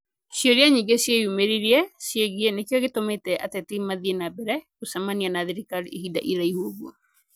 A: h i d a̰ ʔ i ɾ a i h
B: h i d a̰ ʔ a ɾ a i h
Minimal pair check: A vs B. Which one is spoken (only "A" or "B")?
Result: A